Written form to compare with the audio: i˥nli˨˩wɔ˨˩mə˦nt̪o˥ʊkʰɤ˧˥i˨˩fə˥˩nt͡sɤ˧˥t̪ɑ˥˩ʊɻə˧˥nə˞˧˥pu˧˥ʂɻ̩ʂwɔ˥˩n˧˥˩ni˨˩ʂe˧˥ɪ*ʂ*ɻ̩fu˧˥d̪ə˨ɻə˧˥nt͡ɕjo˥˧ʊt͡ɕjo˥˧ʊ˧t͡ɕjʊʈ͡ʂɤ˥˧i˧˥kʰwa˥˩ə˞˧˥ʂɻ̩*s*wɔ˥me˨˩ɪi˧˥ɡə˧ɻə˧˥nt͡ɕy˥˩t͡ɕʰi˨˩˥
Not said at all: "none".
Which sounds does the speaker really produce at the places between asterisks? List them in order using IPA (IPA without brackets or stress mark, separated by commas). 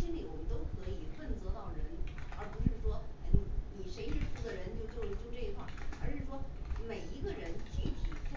ʂ, ʂ